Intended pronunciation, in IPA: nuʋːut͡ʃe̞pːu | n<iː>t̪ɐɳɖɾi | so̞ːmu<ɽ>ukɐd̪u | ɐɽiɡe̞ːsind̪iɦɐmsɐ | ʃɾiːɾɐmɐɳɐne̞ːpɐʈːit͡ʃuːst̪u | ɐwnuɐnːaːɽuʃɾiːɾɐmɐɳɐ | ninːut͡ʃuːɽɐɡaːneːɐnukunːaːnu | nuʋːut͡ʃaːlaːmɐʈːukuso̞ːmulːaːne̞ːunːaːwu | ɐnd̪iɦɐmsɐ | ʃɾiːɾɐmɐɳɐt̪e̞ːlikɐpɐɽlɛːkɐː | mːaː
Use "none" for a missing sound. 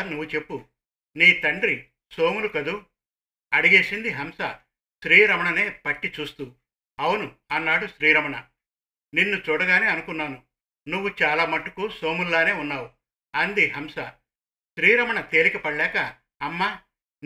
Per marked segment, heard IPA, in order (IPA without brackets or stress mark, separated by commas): iː, l